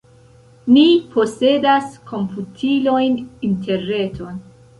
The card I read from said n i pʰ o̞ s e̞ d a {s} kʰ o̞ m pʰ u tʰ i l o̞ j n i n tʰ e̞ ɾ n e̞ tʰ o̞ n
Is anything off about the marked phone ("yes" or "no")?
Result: no